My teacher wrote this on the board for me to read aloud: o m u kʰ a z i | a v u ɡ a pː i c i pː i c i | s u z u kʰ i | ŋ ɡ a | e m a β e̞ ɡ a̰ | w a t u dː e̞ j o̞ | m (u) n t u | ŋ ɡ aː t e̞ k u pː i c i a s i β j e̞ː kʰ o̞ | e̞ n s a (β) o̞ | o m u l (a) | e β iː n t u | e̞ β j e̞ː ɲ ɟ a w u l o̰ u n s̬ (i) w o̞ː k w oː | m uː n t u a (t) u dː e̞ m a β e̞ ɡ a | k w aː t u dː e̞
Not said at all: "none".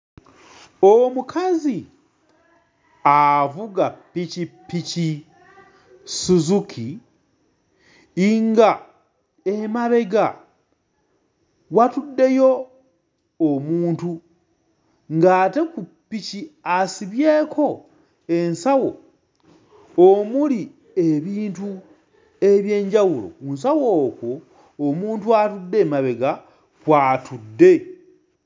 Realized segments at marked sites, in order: uː, w, i, a, t

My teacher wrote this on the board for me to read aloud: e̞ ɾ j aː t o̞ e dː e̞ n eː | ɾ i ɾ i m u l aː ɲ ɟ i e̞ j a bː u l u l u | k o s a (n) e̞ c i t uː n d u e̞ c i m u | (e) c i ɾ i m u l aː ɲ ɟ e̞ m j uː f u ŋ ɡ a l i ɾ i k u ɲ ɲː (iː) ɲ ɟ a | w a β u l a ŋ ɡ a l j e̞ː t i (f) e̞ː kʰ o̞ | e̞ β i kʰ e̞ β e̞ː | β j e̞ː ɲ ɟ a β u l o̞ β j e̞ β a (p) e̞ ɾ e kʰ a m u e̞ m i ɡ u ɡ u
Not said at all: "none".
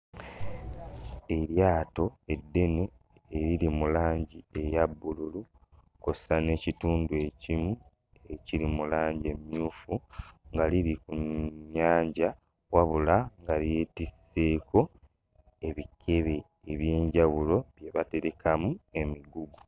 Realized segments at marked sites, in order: n, e, aː, s, t

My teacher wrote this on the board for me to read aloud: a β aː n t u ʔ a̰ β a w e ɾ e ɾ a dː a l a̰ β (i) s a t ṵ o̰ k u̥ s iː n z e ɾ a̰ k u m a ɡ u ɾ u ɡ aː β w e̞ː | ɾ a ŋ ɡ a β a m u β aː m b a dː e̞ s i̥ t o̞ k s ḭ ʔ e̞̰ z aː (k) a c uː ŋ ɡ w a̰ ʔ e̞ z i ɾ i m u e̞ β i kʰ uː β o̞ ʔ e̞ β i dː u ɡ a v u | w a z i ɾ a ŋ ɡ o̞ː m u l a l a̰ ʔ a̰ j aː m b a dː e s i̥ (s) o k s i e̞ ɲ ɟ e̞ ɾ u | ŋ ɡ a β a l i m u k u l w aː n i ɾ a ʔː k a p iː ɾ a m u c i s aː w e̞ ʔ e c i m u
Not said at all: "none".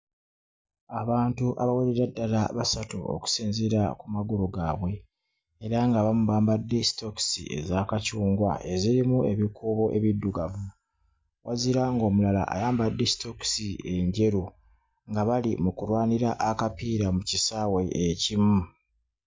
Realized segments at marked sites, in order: a, k, t

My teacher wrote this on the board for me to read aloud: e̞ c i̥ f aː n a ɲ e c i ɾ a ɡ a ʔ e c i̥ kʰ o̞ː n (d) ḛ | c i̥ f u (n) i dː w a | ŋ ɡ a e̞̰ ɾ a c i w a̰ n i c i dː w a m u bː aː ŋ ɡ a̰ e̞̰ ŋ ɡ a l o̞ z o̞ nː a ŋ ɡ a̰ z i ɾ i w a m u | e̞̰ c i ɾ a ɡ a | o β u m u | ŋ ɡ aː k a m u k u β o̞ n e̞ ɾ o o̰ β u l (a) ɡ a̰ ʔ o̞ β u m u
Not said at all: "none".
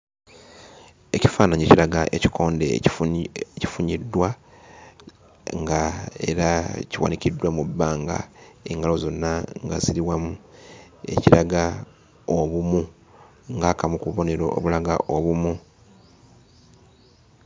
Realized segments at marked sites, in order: d, ɲ, a

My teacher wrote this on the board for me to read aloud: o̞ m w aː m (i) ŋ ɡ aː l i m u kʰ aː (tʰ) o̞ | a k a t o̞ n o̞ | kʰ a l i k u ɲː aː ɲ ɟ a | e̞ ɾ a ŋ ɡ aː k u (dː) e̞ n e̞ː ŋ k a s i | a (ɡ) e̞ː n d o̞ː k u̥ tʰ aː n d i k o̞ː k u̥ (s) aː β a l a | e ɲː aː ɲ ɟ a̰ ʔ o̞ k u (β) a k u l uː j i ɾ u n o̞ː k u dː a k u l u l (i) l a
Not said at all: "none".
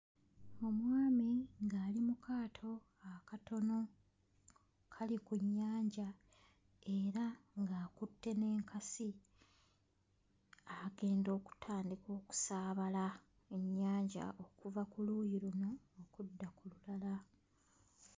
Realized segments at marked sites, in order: i, tʰ, tː, ɡ, s, v, a

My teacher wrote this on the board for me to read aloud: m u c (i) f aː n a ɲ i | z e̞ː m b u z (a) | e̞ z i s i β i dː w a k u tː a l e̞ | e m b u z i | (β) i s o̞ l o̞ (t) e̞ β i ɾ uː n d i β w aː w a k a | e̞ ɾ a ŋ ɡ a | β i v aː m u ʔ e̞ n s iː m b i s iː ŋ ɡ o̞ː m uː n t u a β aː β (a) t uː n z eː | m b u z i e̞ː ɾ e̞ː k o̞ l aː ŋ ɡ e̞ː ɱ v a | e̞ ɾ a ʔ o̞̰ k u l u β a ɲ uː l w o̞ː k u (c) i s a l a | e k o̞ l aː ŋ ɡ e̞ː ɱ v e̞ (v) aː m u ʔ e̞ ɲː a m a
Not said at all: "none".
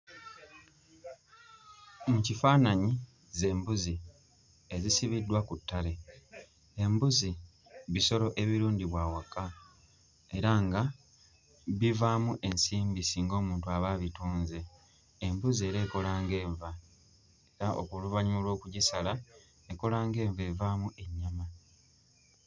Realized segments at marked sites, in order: i, i, β, ʔ, i, ɟ, v

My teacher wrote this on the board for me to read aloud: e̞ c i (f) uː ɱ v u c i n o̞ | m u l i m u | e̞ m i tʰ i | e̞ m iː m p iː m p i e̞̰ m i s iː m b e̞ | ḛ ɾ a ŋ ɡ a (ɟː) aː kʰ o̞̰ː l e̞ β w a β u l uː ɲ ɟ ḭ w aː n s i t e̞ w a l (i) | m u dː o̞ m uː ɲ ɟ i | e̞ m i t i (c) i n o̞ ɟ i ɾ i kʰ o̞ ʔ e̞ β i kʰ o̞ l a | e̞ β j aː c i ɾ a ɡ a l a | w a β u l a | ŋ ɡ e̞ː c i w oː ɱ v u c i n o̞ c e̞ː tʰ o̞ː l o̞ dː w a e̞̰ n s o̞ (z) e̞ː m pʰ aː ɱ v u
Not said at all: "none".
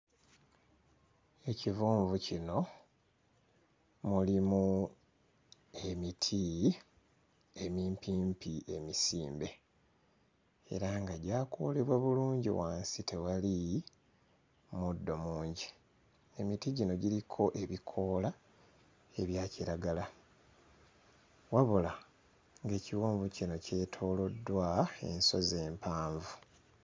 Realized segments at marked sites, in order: v, ɟ, i, ɟ, z

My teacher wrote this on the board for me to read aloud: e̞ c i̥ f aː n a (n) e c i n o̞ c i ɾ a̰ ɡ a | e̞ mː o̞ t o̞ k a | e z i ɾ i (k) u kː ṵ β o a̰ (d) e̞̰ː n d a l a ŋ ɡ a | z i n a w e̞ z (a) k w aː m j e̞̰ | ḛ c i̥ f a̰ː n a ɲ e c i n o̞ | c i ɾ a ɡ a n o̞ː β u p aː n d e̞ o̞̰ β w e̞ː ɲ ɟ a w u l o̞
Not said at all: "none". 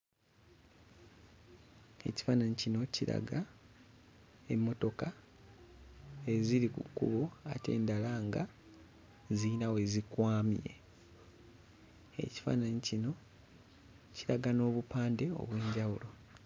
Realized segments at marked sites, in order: ɲ, k, t, i

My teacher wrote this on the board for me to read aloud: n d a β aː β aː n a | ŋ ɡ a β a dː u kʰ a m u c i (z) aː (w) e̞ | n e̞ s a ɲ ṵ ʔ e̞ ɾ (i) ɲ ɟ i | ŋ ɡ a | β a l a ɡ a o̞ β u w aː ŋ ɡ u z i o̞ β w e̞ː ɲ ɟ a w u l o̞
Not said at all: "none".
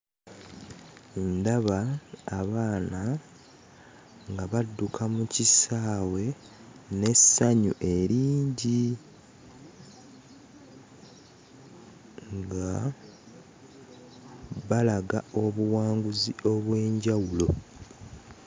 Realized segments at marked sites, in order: s, w, iː

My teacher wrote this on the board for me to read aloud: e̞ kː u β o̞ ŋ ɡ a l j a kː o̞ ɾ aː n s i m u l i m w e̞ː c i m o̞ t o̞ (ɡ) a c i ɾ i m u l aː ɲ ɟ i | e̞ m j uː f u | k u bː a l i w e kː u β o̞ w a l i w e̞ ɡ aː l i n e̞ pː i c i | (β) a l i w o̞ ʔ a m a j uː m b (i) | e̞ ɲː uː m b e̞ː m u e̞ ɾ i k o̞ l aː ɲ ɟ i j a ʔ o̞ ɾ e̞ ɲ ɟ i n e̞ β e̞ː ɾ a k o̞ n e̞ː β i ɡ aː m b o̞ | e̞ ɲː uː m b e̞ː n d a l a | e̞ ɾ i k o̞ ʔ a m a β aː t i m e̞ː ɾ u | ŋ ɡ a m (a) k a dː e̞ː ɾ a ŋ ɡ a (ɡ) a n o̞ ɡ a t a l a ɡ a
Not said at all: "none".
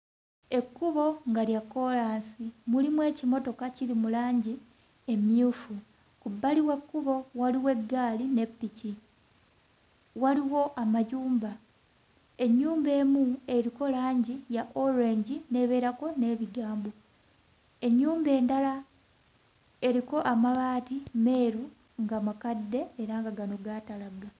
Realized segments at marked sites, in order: k, w, a, a, ɡ

